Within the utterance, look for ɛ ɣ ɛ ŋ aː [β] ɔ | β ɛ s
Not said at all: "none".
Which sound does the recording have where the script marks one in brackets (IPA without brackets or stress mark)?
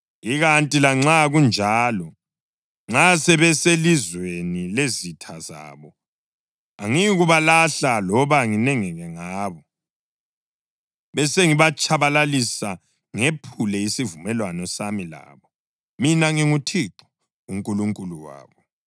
β